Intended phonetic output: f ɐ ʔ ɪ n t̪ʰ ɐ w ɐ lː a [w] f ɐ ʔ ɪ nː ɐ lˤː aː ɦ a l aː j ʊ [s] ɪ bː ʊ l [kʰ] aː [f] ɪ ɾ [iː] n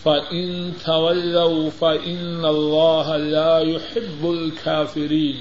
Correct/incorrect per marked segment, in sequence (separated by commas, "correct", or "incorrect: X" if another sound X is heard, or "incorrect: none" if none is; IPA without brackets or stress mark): correct, incorrect: ħ, correct, correct, correct